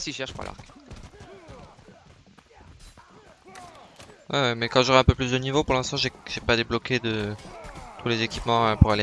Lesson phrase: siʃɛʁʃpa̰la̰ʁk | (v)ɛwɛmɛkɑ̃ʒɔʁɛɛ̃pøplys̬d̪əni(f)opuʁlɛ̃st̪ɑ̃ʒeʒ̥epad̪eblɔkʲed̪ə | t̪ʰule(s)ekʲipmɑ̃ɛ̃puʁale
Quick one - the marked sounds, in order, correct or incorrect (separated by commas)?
incorrect, incorrect, incorrect